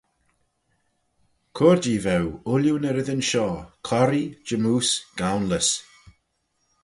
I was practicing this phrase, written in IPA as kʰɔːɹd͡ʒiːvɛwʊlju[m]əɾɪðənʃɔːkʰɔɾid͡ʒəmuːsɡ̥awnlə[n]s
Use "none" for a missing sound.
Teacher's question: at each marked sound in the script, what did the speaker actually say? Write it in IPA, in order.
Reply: n, none

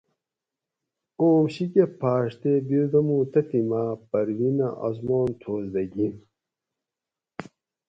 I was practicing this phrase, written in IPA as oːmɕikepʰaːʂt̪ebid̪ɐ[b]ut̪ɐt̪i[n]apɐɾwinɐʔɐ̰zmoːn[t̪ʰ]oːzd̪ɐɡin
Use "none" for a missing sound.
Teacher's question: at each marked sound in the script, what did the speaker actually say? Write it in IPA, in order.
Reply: m, m, t̪ʰ

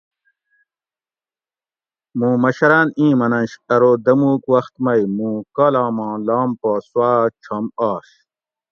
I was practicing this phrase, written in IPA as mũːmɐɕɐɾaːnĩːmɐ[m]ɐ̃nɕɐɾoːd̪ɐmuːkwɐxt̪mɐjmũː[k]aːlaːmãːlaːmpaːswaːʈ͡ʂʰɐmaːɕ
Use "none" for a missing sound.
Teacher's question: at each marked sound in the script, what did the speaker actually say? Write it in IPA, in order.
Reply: n, k

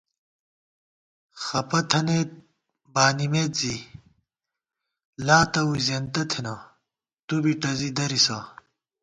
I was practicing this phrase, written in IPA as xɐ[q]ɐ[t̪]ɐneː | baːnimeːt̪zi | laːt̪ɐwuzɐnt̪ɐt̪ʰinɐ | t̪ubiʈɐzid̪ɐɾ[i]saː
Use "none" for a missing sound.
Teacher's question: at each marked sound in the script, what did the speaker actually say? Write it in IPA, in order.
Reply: p, t̪ʰ, i

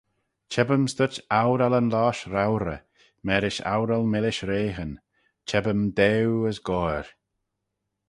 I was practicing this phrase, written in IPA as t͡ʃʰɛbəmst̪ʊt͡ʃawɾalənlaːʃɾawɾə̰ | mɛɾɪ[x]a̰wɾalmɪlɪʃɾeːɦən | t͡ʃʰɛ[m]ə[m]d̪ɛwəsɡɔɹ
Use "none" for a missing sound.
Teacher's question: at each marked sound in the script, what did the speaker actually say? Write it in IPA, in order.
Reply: ʃ, b, m

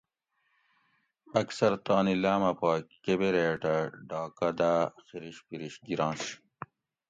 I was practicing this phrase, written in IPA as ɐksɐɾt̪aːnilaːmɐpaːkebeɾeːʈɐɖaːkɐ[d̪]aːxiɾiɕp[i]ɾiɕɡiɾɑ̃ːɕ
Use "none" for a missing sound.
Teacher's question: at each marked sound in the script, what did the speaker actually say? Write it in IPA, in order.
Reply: d̪, i

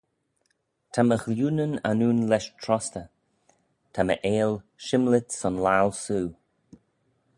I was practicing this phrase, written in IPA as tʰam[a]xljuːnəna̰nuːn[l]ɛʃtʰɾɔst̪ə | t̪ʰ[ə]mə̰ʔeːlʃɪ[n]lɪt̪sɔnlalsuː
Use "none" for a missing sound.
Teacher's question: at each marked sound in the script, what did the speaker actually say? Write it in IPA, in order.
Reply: ə, l, a, m

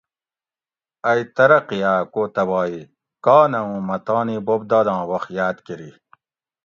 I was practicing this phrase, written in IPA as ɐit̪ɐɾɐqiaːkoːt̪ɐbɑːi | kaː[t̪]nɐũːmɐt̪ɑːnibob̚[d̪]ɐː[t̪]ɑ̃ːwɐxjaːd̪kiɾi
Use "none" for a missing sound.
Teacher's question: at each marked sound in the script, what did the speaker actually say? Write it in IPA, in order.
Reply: none, d̪, d̪

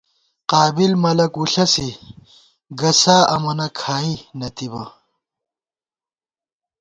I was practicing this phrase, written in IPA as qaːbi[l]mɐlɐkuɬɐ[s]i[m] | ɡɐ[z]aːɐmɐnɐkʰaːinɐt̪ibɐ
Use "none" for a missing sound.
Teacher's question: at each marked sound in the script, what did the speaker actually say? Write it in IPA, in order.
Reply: l, s, none, s

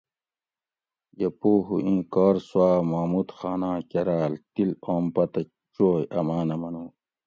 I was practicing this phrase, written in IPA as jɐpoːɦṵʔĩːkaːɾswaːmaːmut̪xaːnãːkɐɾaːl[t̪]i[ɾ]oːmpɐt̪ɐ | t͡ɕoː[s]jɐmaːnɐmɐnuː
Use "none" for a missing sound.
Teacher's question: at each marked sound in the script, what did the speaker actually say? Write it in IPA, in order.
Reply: t̪, l, none

